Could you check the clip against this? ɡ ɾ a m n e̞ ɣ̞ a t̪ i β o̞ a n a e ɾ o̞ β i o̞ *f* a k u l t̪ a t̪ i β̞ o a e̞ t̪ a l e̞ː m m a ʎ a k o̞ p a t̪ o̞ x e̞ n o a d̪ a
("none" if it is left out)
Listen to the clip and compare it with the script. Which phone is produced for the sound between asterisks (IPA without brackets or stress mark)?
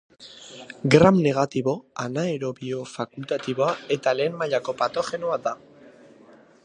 f